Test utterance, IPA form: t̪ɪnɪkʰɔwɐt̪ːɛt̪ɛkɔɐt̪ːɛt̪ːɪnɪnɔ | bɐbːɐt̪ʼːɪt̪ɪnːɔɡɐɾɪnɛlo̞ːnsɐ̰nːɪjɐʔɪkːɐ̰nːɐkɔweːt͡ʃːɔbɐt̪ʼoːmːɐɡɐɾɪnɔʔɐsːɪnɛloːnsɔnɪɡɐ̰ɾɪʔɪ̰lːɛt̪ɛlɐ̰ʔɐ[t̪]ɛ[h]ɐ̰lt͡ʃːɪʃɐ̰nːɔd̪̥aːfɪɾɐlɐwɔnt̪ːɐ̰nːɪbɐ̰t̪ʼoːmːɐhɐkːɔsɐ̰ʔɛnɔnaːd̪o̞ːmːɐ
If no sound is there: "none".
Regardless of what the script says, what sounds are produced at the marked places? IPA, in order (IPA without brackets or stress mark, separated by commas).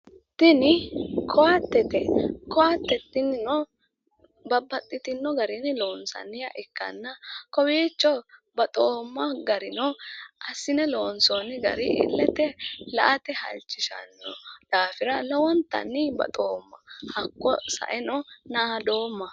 t̪, h